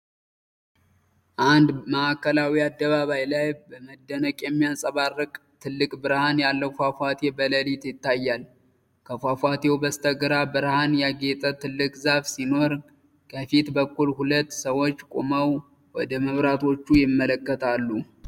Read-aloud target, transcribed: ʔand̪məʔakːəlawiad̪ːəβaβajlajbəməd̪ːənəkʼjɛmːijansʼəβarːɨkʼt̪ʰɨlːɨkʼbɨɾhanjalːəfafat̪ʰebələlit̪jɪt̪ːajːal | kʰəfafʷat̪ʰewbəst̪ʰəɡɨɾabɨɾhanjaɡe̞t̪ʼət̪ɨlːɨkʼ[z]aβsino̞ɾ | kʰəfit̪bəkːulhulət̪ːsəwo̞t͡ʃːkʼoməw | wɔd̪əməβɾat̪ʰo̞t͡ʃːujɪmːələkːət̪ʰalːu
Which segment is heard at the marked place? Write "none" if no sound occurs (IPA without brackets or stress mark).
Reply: z